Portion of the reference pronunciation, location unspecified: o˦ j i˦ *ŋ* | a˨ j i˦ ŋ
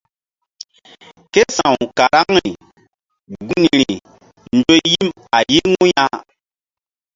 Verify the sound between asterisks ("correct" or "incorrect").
incorrect